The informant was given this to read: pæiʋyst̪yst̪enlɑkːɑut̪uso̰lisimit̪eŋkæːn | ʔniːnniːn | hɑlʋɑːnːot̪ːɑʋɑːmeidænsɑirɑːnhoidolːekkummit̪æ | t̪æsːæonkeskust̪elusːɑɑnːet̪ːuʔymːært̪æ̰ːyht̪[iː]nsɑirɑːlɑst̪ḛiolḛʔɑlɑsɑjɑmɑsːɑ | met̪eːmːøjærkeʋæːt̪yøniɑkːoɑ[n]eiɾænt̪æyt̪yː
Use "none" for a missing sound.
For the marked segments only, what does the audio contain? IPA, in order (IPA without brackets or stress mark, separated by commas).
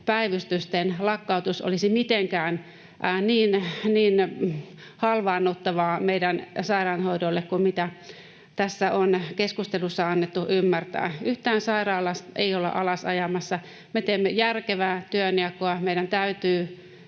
æː, m